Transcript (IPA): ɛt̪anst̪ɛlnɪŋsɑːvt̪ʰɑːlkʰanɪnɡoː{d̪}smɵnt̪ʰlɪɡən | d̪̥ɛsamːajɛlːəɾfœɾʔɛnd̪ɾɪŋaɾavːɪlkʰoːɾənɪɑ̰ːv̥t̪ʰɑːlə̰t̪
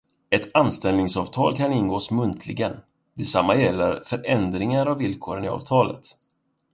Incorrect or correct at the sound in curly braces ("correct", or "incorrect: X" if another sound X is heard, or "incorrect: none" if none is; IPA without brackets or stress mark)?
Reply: incorrect: none